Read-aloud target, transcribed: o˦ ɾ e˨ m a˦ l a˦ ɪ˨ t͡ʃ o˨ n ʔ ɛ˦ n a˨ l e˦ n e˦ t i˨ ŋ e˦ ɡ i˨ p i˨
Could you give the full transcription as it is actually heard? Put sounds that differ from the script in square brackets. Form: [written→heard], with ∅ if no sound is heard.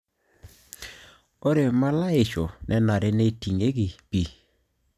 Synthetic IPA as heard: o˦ ɾ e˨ m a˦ l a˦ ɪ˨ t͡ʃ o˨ n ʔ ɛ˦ n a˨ [l→ɾ] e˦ n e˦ t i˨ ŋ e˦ ɡ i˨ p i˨

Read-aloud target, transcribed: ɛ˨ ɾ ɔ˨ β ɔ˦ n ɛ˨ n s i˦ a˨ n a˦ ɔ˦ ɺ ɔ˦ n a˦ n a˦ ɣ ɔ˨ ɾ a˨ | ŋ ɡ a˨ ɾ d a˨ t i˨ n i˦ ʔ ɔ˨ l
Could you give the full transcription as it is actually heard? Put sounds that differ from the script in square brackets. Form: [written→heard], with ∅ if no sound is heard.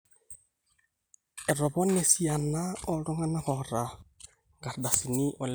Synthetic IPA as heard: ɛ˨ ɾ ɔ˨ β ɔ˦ n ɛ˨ [n→∅] s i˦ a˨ n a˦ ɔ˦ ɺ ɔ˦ [n→ŋ] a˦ n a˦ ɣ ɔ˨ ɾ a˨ | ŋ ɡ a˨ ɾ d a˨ [t→s] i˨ n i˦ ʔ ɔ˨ l

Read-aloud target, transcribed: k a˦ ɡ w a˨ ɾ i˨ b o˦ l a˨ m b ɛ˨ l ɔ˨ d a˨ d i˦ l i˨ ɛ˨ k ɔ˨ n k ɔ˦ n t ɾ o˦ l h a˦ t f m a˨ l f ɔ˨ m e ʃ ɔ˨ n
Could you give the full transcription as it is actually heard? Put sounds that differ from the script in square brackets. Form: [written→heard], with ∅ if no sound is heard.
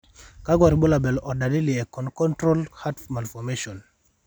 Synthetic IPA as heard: k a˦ ɡ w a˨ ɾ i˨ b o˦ l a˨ [m→∅] b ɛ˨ l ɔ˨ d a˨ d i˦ l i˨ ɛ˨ k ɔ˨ n k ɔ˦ n t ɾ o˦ l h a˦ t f m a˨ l f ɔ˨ m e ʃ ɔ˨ n

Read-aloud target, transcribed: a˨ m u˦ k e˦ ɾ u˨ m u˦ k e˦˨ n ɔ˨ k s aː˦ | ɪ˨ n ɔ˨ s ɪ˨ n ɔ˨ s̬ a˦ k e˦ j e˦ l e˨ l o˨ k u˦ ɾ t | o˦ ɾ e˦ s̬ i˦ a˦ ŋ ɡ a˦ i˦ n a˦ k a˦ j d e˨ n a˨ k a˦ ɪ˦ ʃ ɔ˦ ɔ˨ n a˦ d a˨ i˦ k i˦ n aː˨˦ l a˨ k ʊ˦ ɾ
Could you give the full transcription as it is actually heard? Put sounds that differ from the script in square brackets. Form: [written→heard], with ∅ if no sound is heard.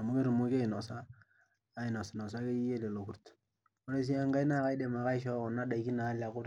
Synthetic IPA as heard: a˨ m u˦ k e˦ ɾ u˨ m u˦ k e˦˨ n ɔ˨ [k→∅] s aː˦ | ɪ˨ n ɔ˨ s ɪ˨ n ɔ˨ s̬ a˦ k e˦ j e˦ l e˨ l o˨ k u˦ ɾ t | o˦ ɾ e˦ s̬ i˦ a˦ ŋ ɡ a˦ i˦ n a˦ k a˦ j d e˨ [n→m] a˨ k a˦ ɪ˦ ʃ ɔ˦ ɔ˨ n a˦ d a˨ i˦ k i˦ n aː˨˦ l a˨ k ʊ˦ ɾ

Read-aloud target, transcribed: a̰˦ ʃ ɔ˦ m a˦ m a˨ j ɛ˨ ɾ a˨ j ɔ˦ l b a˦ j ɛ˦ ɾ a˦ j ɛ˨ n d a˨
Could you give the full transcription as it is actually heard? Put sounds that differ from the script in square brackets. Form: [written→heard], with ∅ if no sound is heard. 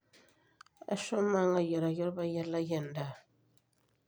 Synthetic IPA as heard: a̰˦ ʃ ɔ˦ m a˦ [m→ŋ] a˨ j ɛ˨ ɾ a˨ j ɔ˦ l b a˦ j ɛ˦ [ɾ→l] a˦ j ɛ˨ n d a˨

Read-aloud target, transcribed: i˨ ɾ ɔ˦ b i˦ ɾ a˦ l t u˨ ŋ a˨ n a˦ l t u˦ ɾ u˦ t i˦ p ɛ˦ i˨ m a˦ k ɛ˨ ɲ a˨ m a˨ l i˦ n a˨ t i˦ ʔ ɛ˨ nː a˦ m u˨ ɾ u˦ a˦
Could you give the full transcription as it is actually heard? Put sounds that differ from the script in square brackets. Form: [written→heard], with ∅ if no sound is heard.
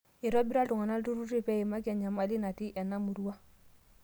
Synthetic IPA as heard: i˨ ɾ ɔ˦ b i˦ ɾ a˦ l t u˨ ŋ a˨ n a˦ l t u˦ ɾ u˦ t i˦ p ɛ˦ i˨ m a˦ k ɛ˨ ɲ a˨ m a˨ l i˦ n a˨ t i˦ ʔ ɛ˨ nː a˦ m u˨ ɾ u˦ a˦

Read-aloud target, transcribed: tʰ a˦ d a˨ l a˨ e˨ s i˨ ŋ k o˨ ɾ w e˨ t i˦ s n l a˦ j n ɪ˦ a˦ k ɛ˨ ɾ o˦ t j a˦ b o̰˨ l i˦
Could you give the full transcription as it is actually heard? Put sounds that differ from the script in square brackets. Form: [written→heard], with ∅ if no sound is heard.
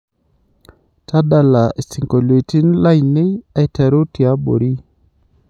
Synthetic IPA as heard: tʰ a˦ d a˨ l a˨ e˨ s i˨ ŋ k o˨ [ɾ→l] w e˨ t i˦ [s→∅] n l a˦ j n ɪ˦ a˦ [k→t] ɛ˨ ɾ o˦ t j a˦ b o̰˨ [l→ɾ] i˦

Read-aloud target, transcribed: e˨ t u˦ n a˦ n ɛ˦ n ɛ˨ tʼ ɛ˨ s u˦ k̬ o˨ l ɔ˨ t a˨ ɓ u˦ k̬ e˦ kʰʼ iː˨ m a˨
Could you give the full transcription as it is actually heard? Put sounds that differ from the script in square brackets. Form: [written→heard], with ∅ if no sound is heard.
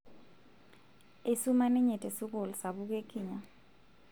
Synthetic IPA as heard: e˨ [t→s] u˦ [n→m] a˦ n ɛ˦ [n→ɲ] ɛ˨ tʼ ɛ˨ s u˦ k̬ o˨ l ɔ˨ [t→s] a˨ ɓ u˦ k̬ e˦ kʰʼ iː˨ [m→ɲ] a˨

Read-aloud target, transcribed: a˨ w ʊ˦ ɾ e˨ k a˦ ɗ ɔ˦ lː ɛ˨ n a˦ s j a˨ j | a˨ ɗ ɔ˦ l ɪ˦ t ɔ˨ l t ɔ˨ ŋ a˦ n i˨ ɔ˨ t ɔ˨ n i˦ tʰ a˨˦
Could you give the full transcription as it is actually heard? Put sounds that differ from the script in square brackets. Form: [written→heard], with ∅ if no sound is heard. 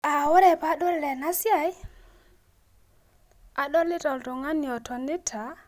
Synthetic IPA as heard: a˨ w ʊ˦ ɾ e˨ [k→p] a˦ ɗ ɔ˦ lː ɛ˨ n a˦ s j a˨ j | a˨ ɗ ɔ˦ l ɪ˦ t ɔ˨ l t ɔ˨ ŋ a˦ n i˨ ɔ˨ t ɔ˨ n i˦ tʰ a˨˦

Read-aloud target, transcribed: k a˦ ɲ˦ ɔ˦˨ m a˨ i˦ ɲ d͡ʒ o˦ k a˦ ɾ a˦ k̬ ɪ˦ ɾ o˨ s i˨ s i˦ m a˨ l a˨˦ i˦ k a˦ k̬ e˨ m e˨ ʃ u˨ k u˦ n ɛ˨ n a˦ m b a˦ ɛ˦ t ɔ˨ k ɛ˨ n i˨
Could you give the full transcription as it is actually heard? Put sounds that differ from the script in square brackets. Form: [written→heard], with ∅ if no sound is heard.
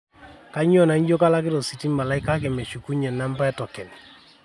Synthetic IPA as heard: k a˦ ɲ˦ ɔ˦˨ [m→n] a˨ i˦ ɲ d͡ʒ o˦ k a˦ [ɾ→l] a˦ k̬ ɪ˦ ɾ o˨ s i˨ [s→t] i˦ m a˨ l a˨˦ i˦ k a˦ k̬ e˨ m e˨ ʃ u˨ k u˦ [n→ɲ] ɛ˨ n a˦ m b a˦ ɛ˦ t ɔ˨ k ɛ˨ n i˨

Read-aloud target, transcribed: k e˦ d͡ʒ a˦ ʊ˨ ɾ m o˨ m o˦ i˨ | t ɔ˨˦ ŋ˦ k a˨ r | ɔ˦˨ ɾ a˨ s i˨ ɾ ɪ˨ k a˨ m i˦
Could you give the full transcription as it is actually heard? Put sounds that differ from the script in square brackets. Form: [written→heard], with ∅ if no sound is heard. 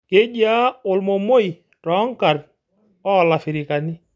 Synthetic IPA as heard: k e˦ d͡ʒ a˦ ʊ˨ [ɾ→l] m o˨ m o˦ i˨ | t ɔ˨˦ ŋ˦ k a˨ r | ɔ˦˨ [ɾ→l] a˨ [s→f] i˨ ɾ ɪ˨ k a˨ [m→n] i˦

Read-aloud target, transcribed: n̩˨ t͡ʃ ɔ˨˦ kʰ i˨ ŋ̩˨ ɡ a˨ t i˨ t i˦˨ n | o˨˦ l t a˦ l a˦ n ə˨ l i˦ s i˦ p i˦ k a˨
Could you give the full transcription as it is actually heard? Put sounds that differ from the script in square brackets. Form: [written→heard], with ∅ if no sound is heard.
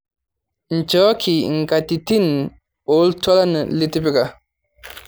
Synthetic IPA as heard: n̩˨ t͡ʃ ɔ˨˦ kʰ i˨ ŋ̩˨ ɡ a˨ t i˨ t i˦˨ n | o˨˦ l t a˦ l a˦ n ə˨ l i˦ [s→t] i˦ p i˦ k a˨

